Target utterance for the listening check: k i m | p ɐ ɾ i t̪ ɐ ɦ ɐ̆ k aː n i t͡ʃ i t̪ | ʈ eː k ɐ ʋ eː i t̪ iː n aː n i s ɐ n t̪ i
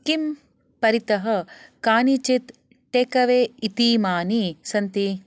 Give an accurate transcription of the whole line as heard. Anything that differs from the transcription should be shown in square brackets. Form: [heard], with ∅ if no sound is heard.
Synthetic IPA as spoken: k i m | p ɐ ɾ i t̪ ɐ ɦ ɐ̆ k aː n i t͡ʃ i t̪ | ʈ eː k ɐ ʋ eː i t̪ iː [m] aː n i s ɐ n t̪ i

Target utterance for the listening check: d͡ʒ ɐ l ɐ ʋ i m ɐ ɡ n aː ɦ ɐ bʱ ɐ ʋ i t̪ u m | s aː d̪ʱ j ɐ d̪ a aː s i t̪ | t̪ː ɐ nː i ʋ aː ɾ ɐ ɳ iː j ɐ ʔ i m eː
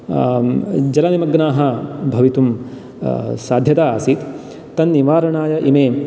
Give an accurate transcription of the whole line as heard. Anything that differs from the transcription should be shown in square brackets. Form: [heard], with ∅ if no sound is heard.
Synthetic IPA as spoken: d͡ʒ ɐ l ɐ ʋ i m ɐ ɡ n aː ɦ ɐ bʱ ɐ ʋ i t̪ u m | s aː d̪ʱ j ɐ [t̪] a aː s i t̪ | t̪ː ɐ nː i ʋ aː ɾ ɐ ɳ [aː] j ɐ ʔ i m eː

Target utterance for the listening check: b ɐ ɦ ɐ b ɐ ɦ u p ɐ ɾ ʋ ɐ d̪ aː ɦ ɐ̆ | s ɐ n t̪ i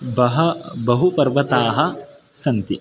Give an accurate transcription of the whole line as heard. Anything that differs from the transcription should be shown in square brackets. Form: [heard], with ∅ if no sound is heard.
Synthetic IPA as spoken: b ɐ ɦ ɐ b ɐ ɦ u p ɐ ɾ ʋ ɐ [t̪] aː ɦ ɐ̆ | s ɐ n t̪ i

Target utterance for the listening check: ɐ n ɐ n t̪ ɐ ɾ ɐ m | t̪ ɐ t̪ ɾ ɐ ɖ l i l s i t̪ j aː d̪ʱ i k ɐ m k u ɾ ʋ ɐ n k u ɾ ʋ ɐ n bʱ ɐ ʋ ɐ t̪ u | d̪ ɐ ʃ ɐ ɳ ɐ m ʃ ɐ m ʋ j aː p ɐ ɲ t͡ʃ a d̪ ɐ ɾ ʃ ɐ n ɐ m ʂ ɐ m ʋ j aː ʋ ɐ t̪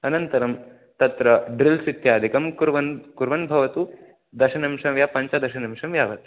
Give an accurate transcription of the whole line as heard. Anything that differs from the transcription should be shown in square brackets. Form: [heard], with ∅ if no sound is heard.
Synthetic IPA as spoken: ɐ n ɐ n t̪ ɐ ɾ ɐ m | t̪ ɐ t̪ ɾ ɐ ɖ [ɾ] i l s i t̪ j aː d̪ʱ i k ɐ m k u ɾ ʋ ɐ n k u ɾ ʋ ɐ n bʱ ɐ ʋ ɐ t̪ u | d̪ ɐ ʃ ɐ [n] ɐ m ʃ ɐ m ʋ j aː p ɐ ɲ t͡ʃ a d̪ ɐ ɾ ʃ ɐ n ɐ m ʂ ɐ m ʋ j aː ʋ ɐ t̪

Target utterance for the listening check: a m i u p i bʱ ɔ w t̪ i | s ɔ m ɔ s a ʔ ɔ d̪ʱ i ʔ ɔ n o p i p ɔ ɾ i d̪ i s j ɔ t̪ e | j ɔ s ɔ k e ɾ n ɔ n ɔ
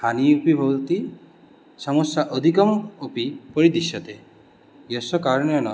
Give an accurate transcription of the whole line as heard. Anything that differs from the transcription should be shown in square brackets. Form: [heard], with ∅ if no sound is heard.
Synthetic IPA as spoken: a [n] i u p i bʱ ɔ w t̪ i | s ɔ m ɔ s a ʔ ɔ d̪ʱ i [k] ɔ [m] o p i p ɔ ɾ i d̪ i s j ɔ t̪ e | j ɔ s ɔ k [a] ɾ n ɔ n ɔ

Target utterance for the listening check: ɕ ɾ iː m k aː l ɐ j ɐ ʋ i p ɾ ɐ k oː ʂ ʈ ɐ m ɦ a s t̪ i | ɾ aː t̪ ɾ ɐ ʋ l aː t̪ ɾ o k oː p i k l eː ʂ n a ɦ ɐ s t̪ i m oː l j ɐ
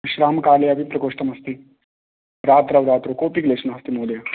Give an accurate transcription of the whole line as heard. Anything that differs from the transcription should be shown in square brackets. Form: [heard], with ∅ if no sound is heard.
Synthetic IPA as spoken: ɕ ɾ [aː] m k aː l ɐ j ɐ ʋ i p ɾ ɐ k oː ʂ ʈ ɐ m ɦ [ɐ] s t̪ i | ɾ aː t̪ ɾ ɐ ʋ [ɾ] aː t̪ ɾ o k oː p i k l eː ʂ n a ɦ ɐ s t̪ i m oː l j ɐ

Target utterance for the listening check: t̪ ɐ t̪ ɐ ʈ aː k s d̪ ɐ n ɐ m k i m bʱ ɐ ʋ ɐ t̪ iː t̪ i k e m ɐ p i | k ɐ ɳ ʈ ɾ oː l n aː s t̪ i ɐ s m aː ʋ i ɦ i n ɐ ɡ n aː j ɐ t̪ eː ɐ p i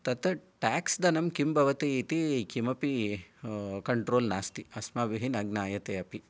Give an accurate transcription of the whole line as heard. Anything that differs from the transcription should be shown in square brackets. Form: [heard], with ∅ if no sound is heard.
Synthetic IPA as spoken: t̪ ɐ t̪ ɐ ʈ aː k s d̪ ɐ n ɐ m k i m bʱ ɐ ʋ ɐ t̪ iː t̪ i k [i] m ɐ p i | k ɐ ɳ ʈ ɾ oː l n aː s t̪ i ɐ s m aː ʋ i ɦ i n ɐ ɡ n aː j ɐ t̪ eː ɐ p i

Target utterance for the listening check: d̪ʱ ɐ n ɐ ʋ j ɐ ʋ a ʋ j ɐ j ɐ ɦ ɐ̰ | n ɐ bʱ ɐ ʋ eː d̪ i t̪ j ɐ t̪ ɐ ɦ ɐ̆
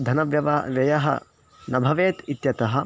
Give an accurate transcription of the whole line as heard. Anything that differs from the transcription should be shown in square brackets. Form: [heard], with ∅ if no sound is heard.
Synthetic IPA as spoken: d̪ʱ ɐ n ɐ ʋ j ɐ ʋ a ʋ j ɐ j ɐ ɦ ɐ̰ | n ɐ bʱ ɐ ʋ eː [t̪] i t̪ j ɐ t̪ ɐ ɦ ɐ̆

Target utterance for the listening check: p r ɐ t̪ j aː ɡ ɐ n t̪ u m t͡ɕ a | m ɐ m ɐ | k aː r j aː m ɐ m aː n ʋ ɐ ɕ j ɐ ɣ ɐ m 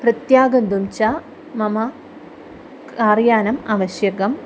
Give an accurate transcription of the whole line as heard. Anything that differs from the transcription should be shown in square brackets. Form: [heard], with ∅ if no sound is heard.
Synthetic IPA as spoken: p r ɐ t̪ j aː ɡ ɐ n [d̪] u m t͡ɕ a | m ɐ m ɐ | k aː r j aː [n] ɐ m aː [∅] ʋ ɐ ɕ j ɐ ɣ ɐ m

